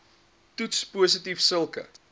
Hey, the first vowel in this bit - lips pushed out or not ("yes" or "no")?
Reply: yes